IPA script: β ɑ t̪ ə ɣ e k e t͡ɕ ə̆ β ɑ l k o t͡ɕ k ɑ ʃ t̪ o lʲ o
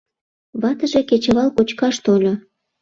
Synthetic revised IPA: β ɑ t̪ ə ʒ e k e t͡ɕ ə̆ β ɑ l k o t͡ɕ k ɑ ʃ t̪ o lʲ o